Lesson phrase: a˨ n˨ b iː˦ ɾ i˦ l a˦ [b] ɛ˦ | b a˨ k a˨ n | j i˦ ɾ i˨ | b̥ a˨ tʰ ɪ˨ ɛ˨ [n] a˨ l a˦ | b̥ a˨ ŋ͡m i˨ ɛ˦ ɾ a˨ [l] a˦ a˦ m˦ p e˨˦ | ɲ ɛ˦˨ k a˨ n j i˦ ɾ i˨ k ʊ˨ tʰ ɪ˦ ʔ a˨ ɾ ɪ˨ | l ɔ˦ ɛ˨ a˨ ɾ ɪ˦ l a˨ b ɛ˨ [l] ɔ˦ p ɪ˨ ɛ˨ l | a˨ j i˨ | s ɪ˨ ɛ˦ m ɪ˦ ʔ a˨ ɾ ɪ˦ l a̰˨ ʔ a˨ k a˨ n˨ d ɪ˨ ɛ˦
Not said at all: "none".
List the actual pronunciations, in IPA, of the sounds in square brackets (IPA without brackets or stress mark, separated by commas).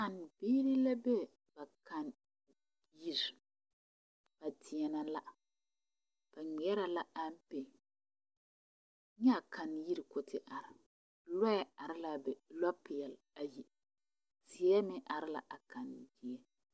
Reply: b, n, l, l